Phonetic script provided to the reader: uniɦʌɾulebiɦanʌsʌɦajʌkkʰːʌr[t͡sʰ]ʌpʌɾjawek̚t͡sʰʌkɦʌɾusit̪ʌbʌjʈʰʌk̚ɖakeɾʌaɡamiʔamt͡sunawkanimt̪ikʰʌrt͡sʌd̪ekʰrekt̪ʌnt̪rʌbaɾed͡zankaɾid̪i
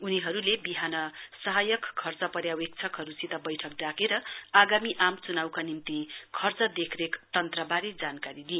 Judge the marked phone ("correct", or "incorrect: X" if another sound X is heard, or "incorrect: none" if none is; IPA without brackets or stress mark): incorrect: t͡s